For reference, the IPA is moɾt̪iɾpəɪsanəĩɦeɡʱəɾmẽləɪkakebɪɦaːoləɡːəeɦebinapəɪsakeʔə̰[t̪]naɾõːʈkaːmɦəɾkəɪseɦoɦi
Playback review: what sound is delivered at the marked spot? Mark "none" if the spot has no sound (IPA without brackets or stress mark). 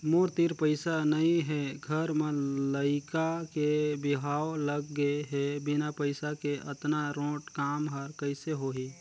t̪